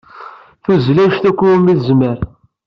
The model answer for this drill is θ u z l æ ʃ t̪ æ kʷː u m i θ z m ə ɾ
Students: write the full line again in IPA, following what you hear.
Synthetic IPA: θ u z l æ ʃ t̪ æ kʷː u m i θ z m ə ɾ